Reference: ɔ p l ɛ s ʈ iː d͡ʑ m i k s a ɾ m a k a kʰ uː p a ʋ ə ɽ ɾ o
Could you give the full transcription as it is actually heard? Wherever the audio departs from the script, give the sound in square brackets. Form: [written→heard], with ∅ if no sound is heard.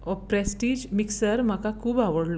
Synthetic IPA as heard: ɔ p [l→ɾ] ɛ s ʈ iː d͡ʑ m i k s [a→ə] ɾ m a k a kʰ uː [p→b] a ʋ ə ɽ [ɾ→l] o